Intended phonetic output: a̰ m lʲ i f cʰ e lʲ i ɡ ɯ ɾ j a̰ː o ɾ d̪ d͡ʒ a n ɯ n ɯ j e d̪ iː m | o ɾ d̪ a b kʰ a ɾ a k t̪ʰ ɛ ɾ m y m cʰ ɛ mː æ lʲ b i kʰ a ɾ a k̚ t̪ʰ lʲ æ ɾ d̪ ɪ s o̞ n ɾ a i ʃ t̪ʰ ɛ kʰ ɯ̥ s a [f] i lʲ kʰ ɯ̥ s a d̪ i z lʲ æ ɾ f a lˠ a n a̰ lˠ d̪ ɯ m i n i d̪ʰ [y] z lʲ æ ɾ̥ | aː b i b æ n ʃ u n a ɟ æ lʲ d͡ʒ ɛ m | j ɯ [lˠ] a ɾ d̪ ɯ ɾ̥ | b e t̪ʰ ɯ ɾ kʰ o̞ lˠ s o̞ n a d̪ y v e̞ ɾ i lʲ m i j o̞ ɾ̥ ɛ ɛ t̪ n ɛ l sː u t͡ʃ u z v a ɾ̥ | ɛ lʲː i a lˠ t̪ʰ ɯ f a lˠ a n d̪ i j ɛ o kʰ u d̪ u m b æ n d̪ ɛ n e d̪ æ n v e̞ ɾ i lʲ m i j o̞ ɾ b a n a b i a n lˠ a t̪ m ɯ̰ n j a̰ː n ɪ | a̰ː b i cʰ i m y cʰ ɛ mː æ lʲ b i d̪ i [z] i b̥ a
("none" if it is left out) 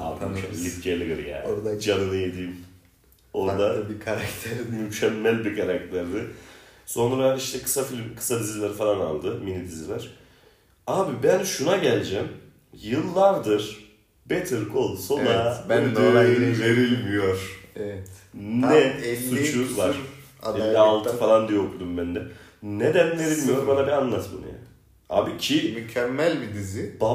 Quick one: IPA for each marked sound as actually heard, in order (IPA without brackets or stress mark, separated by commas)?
f, i, lˠː, z